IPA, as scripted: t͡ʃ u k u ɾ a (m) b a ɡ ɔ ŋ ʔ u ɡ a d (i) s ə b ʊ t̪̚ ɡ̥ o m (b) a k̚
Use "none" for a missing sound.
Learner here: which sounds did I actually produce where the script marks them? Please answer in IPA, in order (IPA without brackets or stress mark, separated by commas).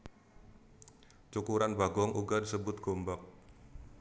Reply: n, i, b